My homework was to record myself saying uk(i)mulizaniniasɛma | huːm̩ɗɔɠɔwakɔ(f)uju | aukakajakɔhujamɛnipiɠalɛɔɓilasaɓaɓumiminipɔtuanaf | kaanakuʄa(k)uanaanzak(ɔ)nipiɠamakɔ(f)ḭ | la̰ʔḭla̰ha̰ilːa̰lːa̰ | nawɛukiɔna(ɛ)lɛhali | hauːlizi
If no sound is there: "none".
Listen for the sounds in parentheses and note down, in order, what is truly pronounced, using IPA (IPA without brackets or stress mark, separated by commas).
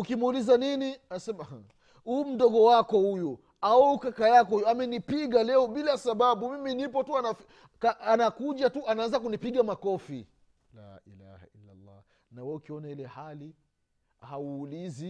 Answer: i, h, t, u, f, i